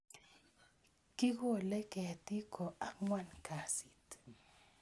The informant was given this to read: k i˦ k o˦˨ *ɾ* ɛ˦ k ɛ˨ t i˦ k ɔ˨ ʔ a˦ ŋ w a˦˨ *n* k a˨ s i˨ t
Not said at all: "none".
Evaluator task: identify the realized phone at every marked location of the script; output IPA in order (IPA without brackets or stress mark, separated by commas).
l, n